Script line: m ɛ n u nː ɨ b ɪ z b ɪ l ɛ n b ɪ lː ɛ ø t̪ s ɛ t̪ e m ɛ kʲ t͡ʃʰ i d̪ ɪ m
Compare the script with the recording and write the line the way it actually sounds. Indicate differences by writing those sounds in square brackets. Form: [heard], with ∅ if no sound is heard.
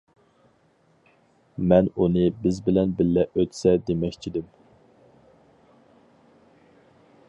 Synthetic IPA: m ɛ n u [n] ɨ b ɪ z b ɪ l ɛ n b ɪ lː ɛ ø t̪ s ɛ [d̪] e m ɛ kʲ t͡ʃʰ i d̪ ɪ m